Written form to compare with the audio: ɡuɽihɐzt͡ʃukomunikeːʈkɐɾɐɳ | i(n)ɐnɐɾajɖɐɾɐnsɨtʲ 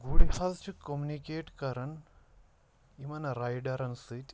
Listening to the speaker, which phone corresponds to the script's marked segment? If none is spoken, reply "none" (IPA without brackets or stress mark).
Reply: m